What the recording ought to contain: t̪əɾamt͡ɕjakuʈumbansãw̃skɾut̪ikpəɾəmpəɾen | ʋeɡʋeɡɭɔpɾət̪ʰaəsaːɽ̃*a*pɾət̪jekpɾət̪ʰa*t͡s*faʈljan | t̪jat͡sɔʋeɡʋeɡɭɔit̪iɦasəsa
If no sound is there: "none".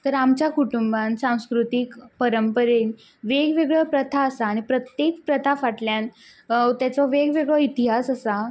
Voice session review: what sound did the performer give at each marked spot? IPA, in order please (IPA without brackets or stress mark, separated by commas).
i, none